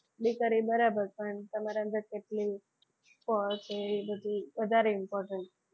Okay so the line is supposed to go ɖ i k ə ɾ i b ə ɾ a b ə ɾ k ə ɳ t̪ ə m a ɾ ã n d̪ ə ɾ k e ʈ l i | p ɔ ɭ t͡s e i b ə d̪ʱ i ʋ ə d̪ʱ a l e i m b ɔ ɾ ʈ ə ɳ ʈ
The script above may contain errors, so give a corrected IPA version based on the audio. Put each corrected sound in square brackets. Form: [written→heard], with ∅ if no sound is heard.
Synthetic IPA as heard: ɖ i k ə ɾ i b ə ɾ a b ə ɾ [k→p] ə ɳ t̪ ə m a ɾ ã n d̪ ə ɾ k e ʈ l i | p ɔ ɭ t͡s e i b ə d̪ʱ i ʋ ə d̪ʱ a [l→ɾ] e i m [b→p] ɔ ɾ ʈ ə ɳ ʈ